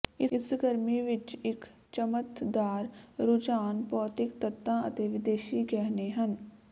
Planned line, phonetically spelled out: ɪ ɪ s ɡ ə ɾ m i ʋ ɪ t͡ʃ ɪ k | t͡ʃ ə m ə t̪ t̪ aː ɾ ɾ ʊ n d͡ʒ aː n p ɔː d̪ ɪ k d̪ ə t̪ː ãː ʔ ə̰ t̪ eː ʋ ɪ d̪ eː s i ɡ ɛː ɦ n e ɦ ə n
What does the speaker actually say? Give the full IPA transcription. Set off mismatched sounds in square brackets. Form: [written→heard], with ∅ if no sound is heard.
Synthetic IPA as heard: ɪ ɪ s ɡ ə ɾ m i ʋ ɪ t͡ʃ ɪ k | t͡ʃ ə m ə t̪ [t̪→d̪] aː ɾ ɾ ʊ [n→∅] d͡ʒ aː n p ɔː [d̪→t̪] ɪ k [d̪→t̪] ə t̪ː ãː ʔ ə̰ t̪ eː ʋ ɪ d̪ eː [s→ʃ] i ɡ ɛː ɦ n e ɦ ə n